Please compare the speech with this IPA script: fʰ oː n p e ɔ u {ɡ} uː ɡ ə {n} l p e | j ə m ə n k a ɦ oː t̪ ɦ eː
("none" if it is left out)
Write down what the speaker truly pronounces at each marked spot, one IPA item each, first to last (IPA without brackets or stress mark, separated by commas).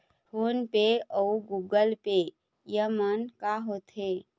ɡ, none